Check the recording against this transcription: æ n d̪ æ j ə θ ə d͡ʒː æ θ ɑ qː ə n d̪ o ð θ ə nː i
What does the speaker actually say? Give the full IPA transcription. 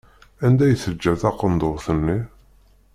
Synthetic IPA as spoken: æ n d̪ æ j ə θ ə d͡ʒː æ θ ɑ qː ə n d̪ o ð θ ə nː i